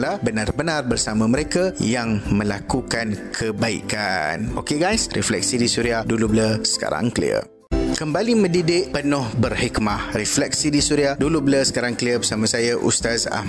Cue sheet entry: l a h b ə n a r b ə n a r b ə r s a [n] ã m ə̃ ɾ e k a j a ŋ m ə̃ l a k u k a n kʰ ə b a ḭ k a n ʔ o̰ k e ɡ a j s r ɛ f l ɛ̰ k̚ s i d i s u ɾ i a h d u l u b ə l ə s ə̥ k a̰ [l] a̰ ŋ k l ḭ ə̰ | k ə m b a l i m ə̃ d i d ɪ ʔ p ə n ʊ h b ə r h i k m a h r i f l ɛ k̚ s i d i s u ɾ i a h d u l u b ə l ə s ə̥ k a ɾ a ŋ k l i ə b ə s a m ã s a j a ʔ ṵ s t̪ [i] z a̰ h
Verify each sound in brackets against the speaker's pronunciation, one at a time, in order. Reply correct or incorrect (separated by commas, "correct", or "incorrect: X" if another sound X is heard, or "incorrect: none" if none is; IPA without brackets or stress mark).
incorrect: m, incorrect: ɾ, incorrect: a